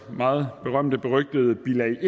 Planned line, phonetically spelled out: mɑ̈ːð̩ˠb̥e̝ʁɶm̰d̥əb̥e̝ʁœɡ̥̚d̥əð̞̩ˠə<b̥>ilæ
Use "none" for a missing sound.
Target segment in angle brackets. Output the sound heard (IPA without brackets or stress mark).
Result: b̥